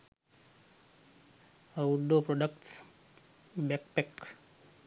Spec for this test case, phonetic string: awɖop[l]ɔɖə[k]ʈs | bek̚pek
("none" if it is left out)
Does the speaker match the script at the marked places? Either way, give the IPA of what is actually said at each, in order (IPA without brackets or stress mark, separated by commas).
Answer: ɾ, k